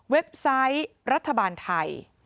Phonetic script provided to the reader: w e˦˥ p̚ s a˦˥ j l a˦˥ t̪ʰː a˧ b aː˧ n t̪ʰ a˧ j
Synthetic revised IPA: w e˦˥ p̚ s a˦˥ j ɾ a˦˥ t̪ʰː a˧ b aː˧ n t̪ʰ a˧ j